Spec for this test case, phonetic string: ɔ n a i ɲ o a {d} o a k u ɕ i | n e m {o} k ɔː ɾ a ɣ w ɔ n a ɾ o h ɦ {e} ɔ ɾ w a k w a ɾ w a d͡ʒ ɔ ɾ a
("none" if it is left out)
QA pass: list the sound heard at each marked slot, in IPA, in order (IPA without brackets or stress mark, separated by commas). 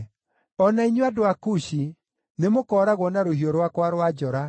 d, o, i